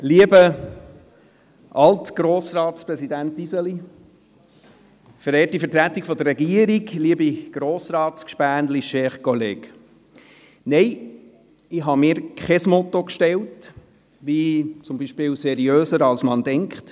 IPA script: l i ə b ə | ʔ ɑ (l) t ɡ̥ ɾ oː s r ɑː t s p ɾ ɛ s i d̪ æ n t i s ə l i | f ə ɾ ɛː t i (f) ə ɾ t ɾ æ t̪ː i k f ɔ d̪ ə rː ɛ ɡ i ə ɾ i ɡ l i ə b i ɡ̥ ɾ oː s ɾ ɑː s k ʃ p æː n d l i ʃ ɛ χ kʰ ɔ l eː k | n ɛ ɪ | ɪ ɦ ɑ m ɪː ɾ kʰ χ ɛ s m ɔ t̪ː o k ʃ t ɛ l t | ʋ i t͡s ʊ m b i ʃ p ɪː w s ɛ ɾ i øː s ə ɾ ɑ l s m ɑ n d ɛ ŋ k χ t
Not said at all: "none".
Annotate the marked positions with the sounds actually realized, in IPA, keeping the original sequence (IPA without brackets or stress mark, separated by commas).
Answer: l, f